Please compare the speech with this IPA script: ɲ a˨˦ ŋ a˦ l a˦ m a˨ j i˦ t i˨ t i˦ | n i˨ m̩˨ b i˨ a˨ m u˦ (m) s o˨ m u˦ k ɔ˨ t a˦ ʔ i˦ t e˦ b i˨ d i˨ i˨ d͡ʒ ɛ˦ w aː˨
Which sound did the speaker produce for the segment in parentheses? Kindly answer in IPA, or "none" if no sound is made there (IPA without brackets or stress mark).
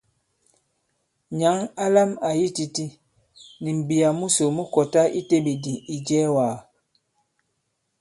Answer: none